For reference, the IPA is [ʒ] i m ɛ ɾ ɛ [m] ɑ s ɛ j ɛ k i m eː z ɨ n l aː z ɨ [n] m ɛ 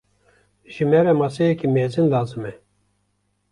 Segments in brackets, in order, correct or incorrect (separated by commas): correct, correct, incorrect